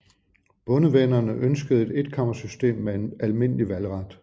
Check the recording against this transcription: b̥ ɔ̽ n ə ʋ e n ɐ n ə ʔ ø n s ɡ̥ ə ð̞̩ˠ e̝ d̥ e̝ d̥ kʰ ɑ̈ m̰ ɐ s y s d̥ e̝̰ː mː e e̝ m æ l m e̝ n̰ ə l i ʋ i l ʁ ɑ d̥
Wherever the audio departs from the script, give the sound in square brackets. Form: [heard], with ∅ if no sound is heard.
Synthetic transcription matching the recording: b̥ ɔ̽ n ə ʋ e n ɐ n ə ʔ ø n s ɡ̥ ə ð̞̩ˠ e̝ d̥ e̝ d̥ kʰ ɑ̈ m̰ ɐ s y s d̥ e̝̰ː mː e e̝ [n] æ l m e̝ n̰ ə l i ʋ [æ] l ʁ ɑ d̥

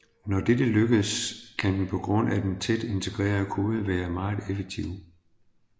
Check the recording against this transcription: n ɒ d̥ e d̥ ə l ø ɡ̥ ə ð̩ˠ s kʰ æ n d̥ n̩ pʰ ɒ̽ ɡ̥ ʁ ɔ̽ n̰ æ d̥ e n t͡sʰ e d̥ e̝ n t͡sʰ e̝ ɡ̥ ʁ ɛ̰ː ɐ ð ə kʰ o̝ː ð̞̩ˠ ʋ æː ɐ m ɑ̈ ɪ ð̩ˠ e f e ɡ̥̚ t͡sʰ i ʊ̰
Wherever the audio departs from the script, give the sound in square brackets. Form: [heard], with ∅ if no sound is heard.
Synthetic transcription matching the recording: n ɒ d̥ e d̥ ə l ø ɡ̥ ə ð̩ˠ s kʰ æ n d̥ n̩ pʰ ɒ̽ ɡ̥ ʁ ɔ̽ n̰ æ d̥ e n t͡sʰ e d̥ e̝ n t͡sʰ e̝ ɡ̥ ʁ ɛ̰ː ɐ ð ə kʰ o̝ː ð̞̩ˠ ʋ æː ɐ m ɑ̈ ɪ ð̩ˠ e f e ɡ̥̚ t͡sʰ i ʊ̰

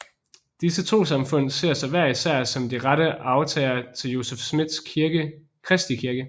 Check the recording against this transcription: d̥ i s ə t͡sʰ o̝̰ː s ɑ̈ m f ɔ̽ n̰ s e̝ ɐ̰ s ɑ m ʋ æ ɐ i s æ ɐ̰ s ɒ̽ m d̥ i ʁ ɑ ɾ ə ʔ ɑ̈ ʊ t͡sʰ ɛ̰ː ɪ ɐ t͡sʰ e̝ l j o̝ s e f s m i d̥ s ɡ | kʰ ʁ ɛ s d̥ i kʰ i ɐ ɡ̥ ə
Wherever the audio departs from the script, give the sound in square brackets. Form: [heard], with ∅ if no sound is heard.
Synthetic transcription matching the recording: d̥ i s ə t͡sʰ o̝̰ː s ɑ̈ m f ɔ̽ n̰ s e̝ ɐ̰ s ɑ [∅] ʋ æ ɐ i s æ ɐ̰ s ɒ̽ m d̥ i ʁ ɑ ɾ ə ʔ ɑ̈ ʊ t͡sʰ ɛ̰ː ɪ ɐ t͡sʰ e̝ l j o̝ s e f s m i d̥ s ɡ | kʰ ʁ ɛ s d̥ i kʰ i ɐ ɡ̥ ə

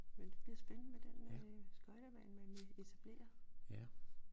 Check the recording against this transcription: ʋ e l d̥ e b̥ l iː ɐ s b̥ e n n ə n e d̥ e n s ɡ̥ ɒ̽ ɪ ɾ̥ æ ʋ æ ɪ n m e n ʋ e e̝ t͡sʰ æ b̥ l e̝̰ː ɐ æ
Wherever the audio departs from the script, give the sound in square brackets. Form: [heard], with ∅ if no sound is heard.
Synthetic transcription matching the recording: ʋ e l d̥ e b̥ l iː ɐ s b̥ e n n ə [m] e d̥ e n s ɡ̥ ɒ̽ ɪ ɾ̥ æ ʋ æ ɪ n m [æ] n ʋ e e̝ t͡sʰ æ b̥ l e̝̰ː ɐ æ

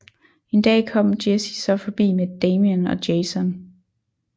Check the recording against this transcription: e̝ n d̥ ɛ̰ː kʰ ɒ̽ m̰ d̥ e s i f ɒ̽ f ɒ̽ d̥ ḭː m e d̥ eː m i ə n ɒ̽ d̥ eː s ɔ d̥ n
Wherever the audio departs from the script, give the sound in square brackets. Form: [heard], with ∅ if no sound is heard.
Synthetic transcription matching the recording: e̝ n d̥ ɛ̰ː kʰ ɒ̽ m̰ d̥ e s i [s] ɒ̽ f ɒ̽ [b̥] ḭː m e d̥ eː m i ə n ɒ̽ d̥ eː s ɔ [∅] n

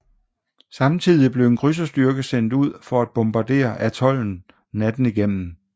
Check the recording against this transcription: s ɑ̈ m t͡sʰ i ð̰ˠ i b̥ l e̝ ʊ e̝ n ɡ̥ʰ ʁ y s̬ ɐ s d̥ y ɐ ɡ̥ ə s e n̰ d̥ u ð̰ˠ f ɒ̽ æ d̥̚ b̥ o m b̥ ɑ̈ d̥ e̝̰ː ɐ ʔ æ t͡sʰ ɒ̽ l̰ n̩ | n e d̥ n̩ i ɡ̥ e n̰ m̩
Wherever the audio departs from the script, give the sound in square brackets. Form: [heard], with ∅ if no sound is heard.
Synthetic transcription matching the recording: s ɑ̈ m t͡sʰ i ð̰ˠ i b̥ l e̝ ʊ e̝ n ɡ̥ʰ ʁ y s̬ ɐ s d̥ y ɐ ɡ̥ ə s e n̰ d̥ u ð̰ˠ f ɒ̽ æ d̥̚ b̥ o m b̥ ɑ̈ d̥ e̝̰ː ɐ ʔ æ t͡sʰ ɒ̽ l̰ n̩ | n [æ] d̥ n̩ i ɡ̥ e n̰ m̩

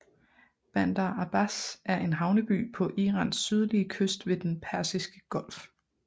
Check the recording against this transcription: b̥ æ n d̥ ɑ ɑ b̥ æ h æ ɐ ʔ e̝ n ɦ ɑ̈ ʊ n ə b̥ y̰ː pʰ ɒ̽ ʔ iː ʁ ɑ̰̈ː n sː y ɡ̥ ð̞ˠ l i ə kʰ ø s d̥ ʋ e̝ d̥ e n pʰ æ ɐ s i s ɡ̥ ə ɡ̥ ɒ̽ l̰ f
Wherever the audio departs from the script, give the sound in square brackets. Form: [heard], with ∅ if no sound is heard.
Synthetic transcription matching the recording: b̥ æ n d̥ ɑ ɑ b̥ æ [s] æ ɐ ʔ e̝ n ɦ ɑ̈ ʊ n ə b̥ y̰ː pʰ ɒ̽ ʔ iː ʁ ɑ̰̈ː n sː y [∅] ð̞ˠ l i ə kʰ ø s d̥ ʋ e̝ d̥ e n pʰ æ ɐ s i s ɡ̥ ə ɡ̥ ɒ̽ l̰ f

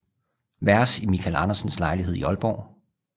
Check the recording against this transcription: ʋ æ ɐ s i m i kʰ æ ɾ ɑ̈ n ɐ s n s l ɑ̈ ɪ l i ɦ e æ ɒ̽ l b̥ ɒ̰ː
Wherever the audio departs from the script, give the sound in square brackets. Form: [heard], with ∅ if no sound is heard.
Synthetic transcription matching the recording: ʋ æ ɐ s i m i kʰ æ [l] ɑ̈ n ɐ s n s l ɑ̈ ɪ l i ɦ e [i] ɒ̽ l b̥ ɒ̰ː

